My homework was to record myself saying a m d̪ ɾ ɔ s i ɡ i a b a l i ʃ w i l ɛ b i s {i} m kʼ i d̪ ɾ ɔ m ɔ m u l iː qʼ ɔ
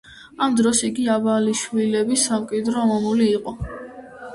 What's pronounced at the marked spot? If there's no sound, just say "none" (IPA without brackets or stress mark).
a